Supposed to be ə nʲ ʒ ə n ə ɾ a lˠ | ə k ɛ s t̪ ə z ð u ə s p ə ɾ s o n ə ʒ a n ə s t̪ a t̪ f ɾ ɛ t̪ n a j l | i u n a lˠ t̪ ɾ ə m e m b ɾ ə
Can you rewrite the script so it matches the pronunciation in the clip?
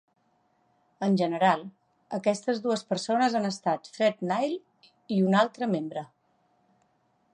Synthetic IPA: ə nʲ ʒ ə n ə ɾ a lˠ | ə k ɛ s t̪ ə z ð u ə s p ə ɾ s o n ə z a n ə s t̪ a t̪ f ɾ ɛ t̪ n a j l | i u n a lˠ t̪ ɾ ə m e m b ɾ ə